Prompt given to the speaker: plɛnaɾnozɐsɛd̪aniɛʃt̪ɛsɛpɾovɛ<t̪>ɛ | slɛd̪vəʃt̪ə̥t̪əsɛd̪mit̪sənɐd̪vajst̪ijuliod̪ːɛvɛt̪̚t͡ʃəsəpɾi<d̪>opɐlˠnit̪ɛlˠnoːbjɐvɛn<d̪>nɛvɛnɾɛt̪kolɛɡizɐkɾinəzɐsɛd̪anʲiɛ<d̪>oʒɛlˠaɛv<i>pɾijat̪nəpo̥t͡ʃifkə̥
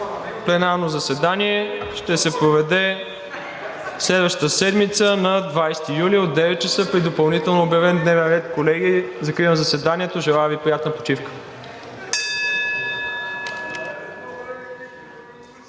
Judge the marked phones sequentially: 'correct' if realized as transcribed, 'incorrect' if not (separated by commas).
incorrect, correct, correct, incorrect, correct